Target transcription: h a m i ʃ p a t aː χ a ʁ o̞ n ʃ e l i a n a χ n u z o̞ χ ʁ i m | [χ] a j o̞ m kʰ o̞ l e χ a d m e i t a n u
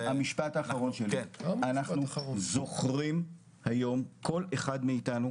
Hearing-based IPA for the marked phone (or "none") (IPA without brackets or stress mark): h